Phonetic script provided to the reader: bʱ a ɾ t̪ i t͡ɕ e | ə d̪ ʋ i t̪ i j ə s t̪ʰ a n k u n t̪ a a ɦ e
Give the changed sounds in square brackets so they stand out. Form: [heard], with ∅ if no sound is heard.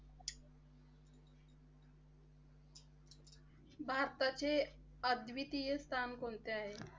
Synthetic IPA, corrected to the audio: bʱ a ɾ t̪ [a] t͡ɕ e | ə d̪ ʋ i t̪ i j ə s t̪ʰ a n k [o] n t̪ [e] a ɦ e